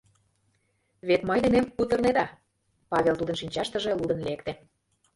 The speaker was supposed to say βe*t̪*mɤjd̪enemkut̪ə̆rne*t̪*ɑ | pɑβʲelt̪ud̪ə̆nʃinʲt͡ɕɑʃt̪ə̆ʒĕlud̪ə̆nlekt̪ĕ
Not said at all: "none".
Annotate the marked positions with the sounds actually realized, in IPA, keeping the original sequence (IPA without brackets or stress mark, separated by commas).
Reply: t̪, d̪